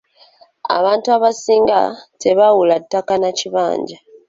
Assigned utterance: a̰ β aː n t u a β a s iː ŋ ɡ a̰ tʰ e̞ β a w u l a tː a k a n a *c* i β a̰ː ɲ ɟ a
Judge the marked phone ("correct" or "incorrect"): correct